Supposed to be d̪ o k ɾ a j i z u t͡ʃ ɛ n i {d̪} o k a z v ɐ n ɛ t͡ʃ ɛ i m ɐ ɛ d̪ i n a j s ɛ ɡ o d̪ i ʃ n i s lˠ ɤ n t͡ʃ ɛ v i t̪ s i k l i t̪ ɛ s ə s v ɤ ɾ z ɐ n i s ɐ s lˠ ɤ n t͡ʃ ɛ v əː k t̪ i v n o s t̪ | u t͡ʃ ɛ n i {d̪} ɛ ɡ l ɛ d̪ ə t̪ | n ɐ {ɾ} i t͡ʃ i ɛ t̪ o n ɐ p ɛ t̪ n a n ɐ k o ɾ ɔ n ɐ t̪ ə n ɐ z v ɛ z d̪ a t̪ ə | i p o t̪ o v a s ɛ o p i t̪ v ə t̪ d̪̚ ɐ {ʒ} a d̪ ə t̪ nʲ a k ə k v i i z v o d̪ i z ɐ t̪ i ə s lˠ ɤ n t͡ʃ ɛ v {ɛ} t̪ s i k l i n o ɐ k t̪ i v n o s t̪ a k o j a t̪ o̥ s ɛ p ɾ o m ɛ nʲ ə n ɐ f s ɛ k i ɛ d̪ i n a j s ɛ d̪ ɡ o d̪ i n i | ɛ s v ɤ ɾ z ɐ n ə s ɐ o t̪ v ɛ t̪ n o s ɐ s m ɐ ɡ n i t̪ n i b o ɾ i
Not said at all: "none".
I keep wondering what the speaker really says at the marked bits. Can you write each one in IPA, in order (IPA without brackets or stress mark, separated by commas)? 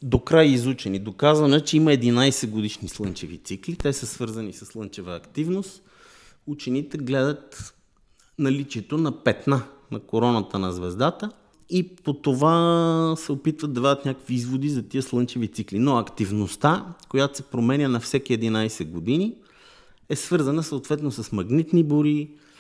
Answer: d̪, t̪, l, v, i